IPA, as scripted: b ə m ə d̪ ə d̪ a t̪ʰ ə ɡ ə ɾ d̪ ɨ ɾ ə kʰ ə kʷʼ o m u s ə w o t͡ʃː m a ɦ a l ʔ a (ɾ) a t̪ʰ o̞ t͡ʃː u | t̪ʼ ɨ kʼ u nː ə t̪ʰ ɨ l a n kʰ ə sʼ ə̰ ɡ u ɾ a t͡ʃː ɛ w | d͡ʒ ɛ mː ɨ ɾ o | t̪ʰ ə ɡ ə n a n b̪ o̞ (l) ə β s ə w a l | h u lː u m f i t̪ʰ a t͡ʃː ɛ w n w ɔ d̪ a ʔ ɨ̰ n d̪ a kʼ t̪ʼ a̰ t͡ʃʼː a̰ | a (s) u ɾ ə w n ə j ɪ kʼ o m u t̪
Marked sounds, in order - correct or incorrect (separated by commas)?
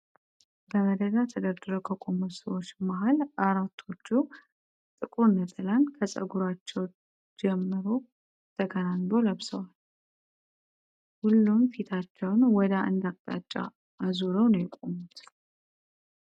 correct, correct, incorrect